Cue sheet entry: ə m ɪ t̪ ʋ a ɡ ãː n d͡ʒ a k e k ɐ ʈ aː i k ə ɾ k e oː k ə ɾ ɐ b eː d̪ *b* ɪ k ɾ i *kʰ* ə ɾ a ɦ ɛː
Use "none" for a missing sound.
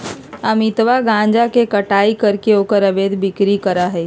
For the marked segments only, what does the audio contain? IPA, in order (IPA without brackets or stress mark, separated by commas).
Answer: b, k